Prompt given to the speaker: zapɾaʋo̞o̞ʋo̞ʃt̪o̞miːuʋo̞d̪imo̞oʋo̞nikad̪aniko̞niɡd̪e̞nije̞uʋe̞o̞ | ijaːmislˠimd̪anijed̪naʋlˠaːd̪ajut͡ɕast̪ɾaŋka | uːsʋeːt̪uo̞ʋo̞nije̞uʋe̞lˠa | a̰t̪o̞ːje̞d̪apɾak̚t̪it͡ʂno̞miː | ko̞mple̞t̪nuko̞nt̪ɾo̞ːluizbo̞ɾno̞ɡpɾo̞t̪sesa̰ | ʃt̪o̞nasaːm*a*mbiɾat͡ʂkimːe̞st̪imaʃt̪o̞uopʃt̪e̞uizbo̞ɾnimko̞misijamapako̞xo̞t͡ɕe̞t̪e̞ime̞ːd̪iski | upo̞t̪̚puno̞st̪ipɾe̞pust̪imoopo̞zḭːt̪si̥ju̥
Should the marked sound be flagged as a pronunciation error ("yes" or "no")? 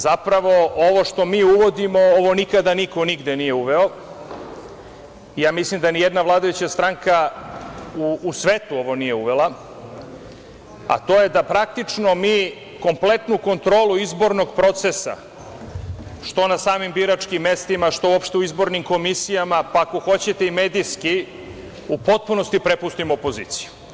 yes